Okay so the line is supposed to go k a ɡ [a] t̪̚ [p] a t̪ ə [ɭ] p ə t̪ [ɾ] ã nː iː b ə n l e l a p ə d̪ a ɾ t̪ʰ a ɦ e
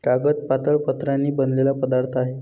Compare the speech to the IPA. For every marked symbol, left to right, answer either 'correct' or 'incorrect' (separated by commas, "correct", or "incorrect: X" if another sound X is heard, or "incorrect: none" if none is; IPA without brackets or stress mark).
incorrect: ə, correct, correct, correct